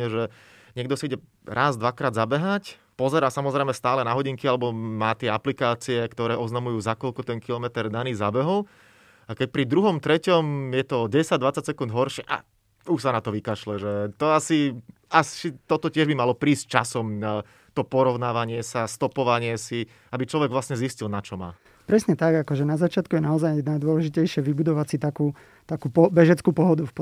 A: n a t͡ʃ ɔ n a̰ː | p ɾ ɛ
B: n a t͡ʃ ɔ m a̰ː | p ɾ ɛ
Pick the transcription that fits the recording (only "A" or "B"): B